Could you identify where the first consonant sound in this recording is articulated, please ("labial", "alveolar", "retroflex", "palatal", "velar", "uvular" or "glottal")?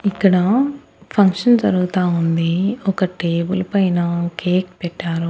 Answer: velar